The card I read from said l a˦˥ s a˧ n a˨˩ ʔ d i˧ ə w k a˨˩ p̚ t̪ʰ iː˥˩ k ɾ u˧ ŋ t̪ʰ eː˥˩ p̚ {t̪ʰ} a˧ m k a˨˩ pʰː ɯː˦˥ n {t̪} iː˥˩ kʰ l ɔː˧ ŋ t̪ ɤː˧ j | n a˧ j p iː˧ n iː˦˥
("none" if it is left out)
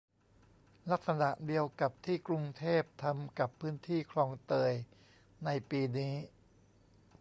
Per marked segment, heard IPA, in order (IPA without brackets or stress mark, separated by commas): t̪ʰ, t̪ʰ